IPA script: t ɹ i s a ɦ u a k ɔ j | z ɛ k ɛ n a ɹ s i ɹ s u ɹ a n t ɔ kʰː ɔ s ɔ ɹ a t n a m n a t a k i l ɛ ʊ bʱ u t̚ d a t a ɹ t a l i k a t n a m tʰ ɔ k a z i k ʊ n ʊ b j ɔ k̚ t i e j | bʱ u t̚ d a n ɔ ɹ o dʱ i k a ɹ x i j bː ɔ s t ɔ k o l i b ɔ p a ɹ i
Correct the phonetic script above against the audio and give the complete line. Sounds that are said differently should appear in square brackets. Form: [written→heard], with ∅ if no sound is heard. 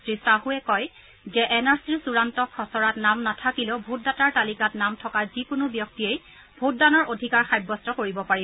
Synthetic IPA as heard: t ɹ i s a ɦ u [a→ɛ] k ɔ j | z ɛ [k→ʔ] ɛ n a ɹ s i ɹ s u ɹ a n t ɔ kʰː ɔ s ɔ ɹ a t n a m n a [t→tʰ] a k i l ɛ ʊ bʱ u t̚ d a t a ɹ t a l i k a t n a m tʰ ɔ k a z i k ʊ n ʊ b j ɔ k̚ t i e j | bʱ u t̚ d a n ɔ ɹ o dʱ i k a ɹ x [i→a] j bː ɔ s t ɔ k o [l→ɹ] i b ɔ p a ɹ i